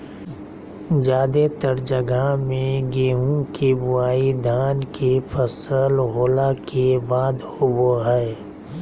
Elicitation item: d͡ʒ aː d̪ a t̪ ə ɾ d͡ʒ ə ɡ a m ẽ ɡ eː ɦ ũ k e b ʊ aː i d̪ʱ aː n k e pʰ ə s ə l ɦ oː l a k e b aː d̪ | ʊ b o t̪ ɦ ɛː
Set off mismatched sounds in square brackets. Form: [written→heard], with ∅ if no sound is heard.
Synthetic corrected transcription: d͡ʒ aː d̪ [a→e] t̪ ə ɾ d͡ʒ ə ɡ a m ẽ ɡ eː ɦ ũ k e b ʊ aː i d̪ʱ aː n k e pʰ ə s ə l ɦ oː l a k e b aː d̪ | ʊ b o [t̪→∅] ɦ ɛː